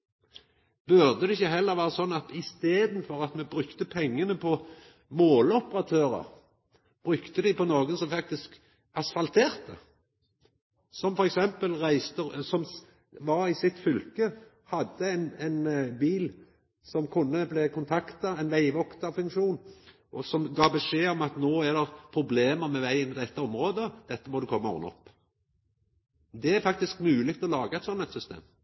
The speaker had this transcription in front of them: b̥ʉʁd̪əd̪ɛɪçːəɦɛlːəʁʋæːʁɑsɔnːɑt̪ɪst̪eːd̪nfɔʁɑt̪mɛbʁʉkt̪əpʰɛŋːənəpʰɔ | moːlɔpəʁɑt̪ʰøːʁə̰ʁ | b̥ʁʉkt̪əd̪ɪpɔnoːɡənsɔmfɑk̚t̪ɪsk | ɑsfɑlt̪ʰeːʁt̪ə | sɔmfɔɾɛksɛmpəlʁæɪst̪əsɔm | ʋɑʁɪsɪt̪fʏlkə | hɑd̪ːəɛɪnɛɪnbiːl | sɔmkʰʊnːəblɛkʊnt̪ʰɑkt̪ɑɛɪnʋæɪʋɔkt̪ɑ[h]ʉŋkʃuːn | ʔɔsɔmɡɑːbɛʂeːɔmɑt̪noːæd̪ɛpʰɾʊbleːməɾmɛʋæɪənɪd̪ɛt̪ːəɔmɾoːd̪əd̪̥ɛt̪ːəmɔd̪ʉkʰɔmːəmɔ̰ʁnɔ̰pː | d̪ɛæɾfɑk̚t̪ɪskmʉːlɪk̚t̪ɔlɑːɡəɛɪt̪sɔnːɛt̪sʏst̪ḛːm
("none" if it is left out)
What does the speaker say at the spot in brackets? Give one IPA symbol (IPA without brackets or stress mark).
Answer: f